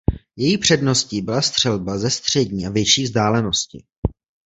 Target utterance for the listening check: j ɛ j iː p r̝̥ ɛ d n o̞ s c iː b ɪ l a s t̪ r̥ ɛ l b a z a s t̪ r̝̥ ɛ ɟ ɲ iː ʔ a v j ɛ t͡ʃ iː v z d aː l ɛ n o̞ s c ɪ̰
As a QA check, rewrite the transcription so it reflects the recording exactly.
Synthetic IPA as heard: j ɛ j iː p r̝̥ ɛ d n o̞ s c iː b ɪ l a s t̪ r̥ ɛ l b a z ɛ s t̪ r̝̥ ɛ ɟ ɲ iː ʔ a v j ɛ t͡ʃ iː v z d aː l ɛ n o̞ s c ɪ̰

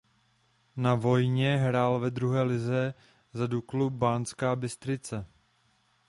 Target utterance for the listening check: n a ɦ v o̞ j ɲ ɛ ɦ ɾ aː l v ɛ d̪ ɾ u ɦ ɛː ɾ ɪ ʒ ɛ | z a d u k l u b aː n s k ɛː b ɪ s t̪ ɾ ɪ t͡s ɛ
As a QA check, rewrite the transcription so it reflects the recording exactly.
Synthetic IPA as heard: n a v o̞ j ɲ ɛ ɦ ɾ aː l v ɛ d̪ ɾ u ɦ ɛː l ɪ z ɛ | z a d u k l u b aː n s k aː b ɪ s t̪ ɾ ɪ t͡s ɛ

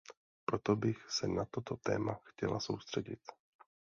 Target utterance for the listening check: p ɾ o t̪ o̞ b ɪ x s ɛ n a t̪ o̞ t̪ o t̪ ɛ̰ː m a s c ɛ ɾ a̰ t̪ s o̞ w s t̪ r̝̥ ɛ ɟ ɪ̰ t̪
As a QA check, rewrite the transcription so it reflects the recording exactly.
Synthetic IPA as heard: p ɾ o t̪ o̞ b ɪ x s ɛ n a t̪ o̞ t̪ o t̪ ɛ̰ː m a x c ɛ l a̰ s o̞ w s t̪ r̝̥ ɛ ɟ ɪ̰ t̪

